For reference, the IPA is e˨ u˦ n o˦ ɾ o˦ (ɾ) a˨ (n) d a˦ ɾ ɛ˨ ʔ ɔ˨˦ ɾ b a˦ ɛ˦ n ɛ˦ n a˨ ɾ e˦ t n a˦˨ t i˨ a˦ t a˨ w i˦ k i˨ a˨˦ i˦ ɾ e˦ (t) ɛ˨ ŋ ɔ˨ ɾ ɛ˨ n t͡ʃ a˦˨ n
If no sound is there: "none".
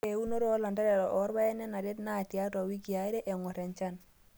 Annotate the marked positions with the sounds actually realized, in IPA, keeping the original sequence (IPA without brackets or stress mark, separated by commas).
l, n, ʔ